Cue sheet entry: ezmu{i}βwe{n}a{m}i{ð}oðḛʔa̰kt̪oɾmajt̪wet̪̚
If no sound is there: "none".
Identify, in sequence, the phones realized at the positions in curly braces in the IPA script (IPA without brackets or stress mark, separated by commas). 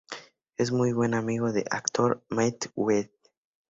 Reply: j, n, m, ɣ